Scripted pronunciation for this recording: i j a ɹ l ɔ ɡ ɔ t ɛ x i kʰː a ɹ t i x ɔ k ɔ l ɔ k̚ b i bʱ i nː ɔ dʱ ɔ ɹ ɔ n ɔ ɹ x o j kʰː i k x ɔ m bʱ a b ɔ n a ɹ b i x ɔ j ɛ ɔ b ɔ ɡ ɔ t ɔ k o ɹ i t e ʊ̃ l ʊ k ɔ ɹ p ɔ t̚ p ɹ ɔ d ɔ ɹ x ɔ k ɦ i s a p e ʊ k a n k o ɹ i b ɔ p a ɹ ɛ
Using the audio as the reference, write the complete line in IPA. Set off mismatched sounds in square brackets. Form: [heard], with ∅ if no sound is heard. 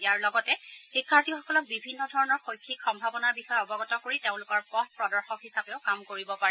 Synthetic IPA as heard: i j a ɹ l ɔ ɡ ɔ t ɛ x i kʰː a ɹ t i x ɔ k ɔ l ɔ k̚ b i bʱ i nː ɔ dʱ ɔ ɹ ɔ n ɔ ɹ x o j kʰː i k x ɔ m bʱ a b ɔ n a ɹ b i x ɔ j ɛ ɔ b ɔ ɡ ɔ t ɔ k o ɹ i t e ʊ̃ l ʊ k ɔ ɹ p ɔ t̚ p ɹ ɔ d ɔ ɹ x ɔ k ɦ i s a p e ʊ k a [m] k o ɹ i b ɔ p a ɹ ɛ